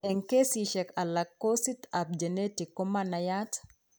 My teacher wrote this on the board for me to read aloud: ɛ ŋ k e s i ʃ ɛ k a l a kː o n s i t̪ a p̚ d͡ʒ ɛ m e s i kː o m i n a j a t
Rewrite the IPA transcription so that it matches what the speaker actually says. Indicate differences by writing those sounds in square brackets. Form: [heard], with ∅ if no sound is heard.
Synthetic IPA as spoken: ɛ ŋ k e s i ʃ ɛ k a l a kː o [∅] s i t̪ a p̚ d͡ʒ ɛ [n] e [t] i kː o m [a] n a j a t